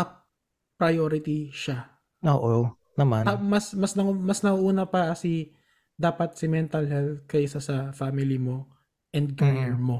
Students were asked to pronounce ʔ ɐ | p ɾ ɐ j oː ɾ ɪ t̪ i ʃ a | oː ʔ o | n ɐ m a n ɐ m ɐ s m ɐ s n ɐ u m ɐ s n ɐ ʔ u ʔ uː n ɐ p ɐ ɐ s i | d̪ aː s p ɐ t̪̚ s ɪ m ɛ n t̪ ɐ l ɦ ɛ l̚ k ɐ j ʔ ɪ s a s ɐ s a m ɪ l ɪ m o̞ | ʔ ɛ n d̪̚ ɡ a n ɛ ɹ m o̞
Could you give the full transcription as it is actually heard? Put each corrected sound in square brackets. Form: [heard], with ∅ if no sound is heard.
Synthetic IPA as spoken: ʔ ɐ | p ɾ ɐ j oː ɾ ɪ t̪ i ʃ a | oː ʔ o | n ɐ m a n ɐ m ɐ s m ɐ s n ɐ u m ɐ s n ɐ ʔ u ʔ uː n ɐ p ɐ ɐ s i | d̪ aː [∅] p ɐ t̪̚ s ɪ m ɛ n t̪ ɐ l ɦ ɛ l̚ k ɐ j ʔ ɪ s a s ɐ [f] a m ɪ l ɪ m o̞ | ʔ ɛ n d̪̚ ɡ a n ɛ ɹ m o̞